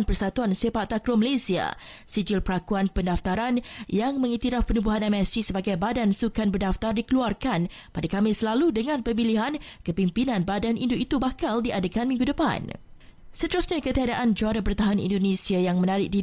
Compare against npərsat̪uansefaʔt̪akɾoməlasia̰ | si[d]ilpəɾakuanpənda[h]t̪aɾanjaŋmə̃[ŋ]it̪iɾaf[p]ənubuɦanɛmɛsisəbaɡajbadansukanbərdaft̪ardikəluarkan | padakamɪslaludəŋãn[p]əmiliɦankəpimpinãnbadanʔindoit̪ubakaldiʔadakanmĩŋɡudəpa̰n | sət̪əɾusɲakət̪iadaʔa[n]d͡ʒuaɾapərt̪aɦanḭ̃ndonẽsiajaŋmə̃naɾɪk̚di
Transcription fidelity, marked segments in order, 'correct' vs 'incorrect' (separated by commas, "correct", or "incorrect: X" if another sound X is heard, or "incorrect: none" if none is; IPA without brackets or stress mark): incorrect: d͡ʒ, incorrect: f, correct, correct, correct, correct